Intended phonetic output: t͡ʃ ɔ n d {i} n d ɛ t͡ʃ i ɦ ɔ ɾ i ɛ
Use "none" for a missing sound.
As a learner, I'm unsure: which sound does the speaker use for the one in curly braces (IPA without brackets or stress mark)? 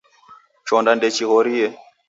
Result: a